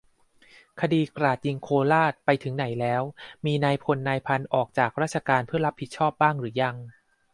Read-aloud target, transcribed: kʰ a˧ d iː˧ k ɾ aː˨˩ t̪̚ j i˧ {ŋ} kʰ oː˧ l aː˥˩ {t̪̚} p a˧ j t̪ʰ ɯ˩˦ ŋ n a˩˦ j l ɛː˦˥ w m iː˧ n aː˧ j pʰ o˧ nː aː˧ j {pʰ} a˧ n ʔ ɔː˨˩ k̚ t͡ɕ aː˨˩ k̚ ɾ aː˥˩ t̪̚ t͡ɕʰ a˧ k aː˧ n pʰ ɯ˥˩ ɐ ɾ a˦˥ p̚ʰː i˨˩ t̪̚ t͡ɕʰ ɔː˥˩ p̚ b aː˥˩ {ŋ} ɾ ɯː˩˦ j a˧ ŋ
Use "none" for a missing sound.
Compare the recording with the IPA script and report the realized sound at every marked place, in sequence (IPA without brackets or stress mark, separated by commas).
ŋ, t̪̚, pʰ, ŋ